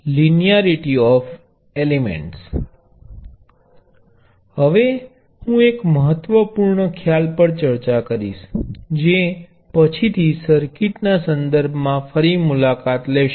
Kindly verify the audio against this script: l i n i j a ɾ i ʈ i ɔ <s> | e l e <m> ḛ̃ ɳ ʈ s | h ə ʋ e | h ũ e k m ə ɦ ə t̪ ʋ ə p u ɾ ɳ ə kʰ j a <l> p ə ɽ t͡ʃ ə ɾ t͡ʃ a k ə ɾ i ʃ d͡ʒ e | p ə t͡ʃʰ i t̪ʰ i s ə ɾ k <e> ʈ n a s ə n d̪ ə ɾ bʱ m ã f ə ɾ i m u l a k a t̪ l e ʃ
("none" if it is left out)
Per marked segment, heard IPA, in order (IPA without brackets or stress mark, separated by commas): f, m, l, i